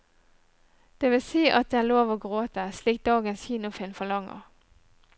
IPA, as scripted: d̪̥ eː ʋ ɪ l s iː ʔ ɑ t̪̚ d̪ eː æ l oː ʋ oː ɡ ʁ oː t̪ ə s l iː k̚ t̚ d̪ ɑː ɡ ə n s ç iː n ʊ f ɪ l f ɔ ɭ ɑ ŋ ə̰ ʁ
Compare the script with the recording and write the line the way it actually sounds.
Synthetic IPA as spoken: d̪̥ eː ʋ ɪ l s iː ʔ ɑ t̪̚ d̪ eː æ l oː ʋ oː ɡ ʁ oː t̪ ə s l iː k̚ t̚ d̪ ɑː ɡ ə n s ç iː n ʊ f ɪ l f ɔ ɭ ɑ ŋ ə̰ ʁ